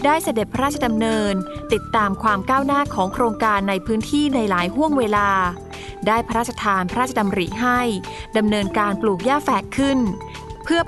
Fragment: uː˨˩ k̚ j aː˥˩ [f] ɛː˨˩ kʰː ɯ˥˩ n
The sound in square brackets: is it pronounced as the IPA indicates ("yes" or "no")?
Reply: yes